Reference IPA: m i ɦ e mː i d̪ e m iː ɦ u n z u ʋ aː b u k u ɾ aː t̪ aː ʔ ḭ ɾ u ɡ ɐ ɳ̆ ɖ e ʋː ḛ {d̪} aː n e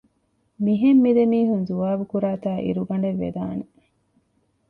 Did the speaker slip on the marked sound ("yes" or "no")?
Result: no